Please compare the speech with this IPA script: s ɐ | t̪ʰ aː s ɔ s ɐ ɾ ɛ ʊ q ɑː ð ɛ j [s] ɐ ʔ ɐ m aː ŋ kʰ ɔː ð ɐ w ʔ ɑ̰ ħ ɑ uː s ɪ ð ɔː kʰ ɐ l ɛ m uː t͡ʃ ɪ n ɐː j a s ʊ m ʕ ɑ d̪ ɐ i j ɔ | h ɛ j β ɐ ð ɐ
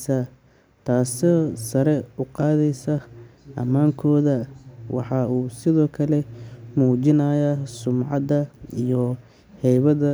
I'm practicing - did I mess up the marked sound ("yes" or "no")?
no